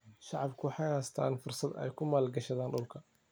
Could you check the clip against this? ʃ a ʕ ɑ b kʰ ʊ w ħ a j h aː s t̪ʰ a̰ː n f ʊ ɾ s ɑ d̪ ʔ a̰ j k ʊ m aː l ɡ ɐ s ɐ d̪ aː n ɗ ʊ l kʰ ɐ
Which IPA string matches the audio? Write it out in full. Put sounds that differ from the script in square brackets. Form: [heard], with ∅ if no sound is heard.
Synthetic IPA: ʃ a ʕ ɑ b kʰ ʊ w ħ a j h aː s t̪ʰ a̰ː n f ʊ ɾ s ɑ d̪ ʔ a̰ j k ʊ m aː l ɡ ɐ [ʃ] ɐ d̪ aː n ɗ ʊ l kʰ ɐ